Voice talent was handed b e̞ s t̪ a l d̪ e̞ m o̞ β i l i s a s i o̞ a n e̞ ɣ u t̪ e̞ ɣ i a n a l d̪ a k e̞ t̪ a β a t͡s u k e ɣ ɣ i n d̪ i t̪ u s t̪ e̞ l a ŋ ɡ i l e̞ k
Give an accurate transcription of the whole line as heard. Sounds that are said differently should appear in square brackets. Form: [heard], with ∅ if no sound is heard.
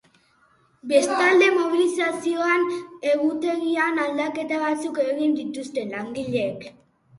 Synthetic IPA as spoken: b e̞ s t̪ a l d̪ e̞ m o̞ β i l i s a s i o̞ a n e̞ ɣ u t̪ e̞ ɣ i a n a l d̪ a k e̞ t̪ a β a t͡s u k e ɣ ɣ i n d̪ i t̪ u s t̪ e̞ l a ŋ ɡ i [ʎ] e̞ k